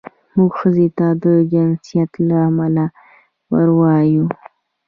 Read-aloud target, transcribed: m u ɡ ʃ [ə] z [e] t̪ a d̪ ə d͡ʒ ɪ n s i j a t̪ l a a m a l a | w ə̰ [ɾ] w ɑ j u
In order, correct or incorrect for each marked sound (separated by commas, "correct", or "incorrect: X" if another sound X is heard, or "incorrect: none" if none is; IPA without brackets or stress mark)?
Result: correct, correct, correct